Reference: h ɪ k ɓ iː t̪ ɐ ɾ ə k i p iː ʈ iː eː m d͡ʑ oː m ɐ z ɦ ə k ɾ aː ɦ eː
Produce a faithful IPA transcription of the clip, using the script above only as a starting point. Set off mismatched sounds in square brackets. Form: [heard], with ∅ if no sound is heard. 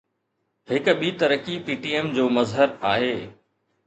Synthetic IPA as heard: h ɪ k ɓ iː t̪ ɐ ɾ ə k i p iː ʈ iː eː m d͡ʑ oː m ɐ z ɦ ə [∅] ɾ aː ɦ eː

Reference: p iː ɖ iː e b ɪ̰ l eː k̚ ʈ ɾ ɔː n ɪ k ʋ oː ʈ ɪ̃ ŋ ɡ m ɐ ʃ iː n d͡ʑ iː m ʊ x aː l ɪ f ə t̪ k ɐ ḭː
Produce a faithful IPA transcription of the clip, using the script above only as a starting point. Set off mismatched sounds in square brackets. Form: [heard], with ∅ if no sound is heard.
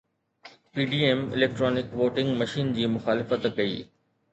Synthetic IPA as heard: p iː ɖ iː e [m] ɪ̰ l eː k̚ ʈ ɾ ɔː n ɪ k ʋ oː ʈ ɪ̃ ŋ ɡ m ɐ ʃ iː n d͡ʑ iː m ʊ x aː l ɪ f ə t̪ k ɐ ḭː

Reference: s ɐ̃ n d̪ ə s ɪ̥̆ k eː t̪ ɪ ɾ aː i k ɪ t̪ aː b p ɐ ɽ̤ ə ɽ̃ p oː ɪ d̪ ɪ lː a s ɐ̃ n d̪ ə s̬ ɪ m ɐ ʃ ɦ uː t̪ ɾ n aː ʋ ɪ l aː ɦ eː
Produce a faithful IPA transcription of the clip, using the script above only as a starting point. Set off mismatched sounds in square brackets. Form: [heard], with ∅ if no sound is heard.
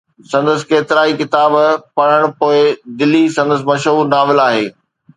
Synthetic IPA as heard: s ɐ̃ n d̪ ə s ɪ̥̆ k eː t̪ ɪ ɾ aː i k ɪ t̪ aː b p ɐ ɽ̤ ə ɽ̃ p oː ɪ d̪ ɪ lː [i] s ɐ̃ n d̪ ə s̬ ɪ m ɐ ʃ ɦ uː [∅] ɾ n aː ʋ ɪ l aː ɦ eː

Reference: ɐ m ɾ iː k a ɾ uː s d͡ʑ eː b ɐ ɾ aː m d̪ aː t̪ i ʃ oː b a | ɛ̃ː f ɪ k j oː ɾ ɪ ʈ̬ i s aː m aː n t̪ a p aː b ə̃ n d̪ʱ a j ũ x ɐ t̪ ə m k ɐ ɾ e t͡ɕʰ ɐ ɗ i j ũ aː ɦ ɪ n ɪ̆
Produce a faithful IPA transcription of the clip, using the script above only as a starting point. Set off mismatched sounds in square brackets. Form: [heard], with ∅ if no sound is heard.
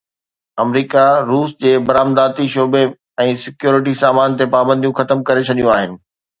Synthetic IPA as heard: ɐ m ɾ iː k a ɾ uː s d͡ʑ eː b ɐ ɾ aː m d̪ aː t̪ i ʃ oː b [e] | ɛ̃ː [s] ɪ k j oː ɾ ɪ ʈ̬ i s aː m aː n t̪ [e] p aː b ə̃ n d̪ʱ [i] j ũ x ɐ t̪ ə m k ɐ ɾ e t͡ɕʰ ɐ ɗ i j ũ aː ɦ ɪ n ɪ̆

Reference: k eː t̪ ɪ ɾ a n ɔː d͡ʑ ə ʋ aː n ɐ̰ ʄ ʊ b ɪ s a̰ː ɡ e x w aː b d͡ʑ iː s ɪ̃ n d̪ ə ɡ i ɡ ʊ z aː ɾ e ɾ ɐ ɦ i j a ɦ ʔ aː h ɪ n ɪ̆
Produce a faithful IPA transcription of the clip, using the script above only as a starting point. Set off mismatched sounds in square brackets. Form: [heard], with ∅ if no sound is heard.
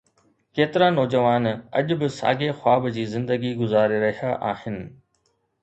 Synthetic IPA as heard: k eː t̪ ɪ ɾ a n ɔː d͡ʑ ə ʋ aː n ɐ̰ ʄ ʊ b ɪ s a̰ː ɡ e x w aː b d͡ʑ iː [z] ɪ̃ n d̪ ə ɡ i ɡ ʊ z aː ɾ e ɾ ɐ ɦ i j a [∅] ʔ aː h ɪ n ɪ̆

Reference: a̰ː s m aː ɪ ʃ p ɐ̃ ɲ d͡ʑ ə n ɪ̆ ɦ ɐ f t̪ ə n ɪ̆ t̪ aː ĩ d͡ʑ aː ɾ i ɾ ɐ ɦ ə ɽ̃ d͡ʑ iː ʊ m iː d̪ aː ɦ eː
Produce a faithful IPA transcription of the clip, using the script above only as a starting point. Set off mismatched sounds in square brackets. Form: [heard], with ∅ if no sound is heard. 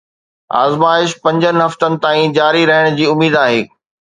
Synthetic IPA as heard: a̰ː [z] m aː ɪ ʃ p ɐ̃ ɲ d͡ʑ ə n ɪ̆ ɦ ɐ f t̪ ə n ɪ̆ t̪ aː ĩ d͡ʑ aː ɾ i ɾ ɐ ɦ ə ɽ̃ d͡ʑ iː ʊ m iː d̪ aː ɦ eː

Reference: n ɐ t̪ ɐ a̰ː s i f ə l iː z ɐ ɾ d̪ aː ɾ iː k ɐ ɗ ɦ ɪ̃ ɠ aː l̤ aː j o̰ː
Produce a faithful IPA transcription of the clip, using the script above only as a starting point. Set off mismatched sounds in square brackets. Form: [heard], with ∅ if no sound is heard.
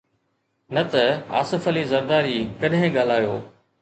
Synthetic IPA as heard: n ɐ t̪ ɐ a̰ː s [ɪ] f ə l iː z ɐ ɾ d̪ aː ɾ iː k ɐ ɗ ɦ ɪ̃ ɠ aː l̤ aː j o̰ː

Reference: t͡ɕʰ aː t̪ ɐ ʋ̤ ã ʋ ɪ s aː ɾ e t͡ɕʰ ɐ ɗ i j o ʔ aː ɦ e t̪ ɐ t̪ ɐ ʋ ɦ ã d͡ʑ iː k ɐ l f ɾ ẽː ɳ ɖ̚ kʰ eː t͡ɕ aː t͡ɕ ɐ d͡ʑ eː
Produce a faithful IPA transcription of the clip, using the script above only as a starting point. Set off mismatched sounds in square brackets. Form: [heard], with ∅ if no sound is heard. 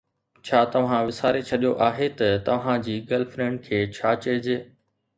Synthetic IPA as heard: t͡ɕʰ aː t̪ ɐ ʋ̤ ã ʋ ɪ s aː ɾ e t͡ɕʰ ɐ ɗ i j o ʔ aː ɦ e t̪ ɐ t̪ ɐ ʋ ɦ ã d͡ʑ iː [ɡ] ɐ l f ɾ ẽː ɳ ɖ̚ kʰ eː [t͡ɕʰ] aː t͡ɕ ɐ d͡ʑ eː

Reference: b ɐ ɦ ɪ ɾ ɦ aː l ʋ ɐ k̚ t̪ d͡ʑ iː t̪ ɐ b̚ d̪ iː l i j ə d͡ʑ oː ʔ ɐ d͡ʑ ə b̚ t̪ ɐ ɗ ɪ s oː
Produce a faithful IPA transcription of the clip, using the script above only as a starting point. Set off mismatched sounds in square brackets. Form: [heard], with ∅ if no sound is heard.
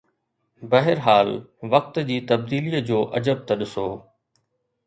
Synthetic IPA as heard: b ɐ ɦ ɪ ɾ ɦ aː l ʋ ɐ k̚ t̪ d͡ʑ iː t̪ ɐ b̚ d̪ iː l i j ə d͡ʑ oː ʔ ɐ d͡ʑ ə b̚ t̪ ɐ ɗ ɪ s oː

